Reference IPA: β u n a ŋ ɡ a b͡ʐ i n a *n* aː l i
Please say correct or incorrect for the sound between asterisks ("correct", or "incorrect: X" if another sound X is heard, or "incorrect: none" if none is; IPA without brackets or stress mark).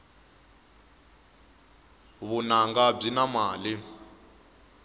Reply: incorrect: m